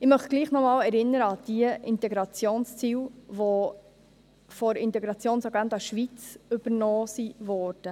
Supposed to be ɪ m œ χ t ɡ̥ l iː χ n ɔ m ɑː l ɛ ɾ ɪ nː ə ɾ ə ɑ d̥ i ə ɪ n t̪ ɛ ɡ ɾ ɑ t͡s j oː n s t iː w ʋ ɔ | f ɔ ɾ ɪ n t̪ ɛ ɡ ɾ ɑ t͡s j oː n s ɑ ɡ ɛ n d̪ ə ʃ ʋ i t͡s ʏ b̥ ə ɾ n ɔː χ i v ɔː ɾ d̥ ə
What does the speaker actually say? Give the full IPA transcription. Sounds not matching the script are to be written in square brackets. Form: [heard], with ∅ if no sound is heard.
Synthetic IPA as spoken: ɪ m œ χ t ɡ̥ l iː χ n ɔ m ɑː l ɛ ɾ ɪ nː ə ɾ ə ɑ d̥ i ə ɪ n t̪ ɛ ɡ ɾ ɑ t͡s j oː n s [t͡s] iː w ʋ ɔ | f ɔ ɾ ɪ n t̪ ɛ ɡ ɾ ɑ t͡s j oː n s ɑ ɡ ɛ n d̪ [ɑ] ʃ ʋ i t͡s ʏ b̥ ə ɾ n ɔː [s] i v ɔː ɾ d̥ ə